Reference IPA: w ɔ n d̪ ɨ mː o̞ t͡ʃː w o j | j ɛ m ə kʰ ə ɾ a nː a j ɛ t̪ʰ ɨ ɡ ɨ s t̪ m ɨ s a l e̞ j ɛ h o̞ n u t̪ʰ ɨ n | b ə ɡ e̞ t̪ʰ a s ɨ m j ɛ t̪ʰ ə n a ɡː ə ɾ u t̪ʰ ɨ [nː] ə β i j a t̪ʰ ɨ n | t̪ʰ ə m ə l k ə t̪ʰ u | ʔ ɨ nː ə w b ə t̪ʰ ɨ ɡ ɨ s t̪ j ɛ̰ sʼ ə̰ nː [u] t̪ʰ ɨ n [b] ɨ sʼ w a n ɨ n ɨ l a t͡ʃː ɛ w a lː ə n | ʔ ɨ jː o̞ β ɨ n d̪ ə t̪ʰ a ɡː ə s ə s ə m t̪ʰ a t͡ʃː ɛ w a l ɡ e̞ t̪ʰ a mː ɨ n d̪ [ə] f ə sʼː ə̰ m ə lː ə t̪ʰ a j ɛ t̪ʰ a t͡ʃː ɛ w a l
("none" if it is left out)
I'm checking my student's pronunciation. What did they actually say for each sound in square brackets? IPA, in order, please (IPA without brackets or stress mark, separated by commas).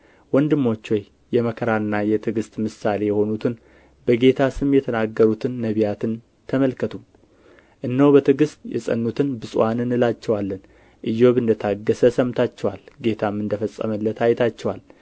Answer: nː, u, b, ə